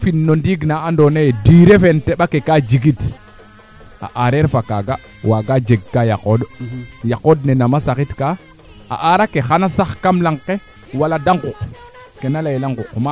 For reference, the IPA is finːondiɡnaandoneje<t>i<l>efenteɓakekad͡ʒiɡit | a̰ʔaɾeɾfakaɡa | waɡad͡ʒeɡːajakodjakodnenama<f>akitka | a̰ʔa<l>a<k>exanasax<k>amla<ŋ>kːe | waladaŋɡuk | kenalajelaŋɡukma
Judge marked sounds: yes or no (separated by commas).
no, no, no, no, yes, yes, yes